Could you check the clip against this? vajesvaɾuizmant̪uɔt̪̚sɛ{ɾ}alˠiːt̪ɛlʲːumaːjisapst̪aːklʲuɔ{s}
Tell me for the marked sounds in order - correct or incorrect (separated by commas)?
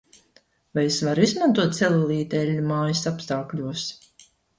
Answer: incorrect, correct